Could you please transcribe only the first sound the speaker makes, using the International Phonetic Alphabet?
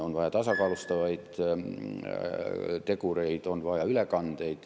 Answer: o̞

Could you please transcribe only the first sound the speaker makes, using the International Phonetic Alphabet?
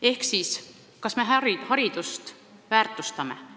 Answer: e̞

